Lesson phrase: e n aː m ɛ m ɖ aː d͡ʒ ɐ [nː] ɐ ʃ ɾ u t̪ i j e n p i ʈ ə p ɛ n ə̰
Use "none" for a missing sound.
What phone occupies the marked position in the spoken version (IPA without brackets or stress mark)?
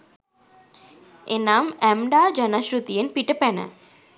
n